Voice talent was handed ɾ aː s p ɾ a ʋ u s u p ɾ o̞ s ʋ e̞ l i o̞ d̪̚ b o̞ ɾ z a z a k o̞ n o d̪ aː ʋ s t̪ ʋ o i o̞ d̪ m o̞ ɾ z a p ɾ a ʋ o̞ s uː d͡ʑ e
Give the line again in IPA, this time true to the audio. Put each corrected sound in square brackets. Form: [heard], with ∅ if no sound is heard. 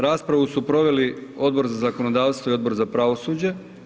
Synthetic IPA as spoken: ɾ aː s p ɾ a ʋ u s u p ɾ o̞ [∅] ʋ e̞ l i o̞ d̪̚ b o̞ ɾ z a z a k o̞ n o d̪ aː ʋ s t̪ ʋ o i o̞ d̪ [b] o̞ ɾ z a p ɾ a ʋ o̞ s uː d͡ʑ e